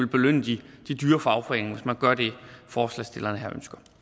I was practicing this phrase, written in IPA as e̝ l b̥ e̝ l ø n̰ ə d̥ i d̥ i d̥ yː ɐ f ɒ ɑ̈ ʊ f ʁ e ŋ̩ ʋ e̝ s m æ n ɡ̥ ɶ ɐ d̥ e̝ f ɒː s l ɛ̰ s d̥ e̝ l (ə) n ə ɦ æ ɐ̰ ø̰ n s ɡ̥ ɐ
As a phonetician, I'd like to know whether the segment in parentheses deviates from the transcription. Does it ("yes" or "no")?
yes